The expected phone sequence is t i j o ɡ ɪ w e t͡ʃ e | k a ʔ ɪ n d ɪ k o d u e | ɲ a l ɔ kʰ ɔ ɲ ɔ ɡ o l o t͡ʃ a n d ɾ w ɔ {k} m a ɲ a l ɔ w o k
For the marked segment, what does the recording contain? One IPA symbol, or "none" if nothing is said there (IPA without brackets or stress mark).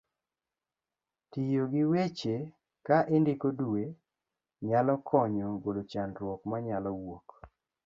k